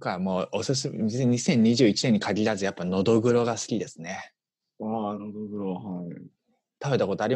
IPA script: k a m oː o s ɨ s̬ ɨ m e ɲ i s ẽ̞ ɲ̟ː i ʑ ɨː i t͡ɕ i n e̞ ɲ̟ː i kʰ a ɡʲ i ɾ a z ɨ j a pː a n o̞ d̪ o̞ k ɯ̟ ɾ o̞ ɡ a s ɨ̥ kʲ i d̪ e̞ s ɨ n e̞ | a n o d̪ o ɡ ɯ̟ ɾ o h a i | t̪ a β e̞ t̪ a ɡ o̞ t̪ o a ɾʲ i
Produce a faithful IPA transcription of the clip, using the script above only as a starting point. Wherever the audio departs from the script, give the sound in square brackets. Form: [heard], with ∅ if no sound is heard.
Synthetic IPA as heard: k a m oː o s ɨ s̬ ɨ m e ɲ i s ẽ̞ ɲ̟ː i ʑ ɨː i t͡ɕ i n e̞ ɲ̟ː i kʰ a ɡʲ i ɾ a z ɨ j a pː a n o̞ d̪ o̞ [ɡ] ɯ̟ ɾ o̞ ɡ a s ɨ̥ kʲ i d̪ e̞ s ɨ n e̞ | a n o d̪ o ɡ ɯ̟ ɾ o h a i | t̪ a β e̞ t̪ a [k] o̞ t̪ o a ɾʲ i